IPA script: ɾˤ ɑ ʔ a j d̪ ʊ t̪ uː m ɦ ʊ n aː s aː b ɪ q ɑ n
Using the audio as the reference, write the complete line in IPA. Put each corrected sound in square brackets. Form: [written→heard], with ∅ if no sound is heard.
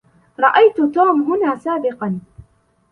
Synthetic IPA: ɾˤ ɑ ʔ a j [d̪→t̪] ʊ t̪ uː m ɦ ʊ n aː s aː b ɪ q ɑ n